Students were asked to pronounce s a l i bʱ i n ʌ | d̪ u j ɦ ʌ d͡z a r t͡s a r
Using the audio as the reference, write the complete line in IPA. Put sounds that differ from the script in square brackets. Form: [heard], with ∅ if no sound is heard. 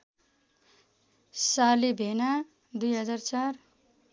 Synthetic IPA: s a l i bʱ [e] n [a] | d̪ u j ɦ ʌ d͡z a r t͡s a r